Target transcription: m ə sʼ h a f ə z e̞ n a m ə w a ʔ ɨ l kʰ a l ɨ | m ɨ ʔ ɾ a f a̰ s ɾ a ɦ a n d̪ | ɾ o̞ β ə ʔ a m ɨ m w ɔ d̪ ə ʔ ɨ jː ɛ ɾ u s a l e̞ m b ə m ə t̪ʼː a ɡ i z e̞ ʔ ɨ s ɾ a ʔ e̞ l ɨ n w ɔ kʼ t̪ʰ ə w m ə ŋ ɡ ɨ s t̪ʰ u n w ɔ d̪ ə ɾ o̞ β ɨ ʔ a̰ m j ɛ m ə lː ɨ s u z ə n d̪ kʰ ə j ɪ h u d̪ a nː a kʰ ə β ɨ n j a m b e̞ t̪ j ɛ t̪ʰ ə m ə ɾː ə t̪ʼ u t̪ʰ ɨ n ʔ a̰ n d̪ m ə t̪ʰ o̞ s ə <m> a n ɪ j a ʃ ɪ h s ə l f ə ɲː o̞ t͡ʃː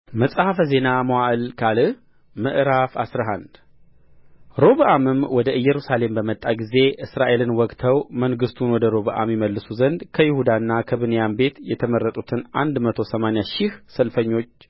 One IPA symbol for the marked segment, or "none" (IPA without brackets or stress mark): m